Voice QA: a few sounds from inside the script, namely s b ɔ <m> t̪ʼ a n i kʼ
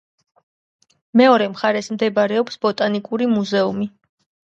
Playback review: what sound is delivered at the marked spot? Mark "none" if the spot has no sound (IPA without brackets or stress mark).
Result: none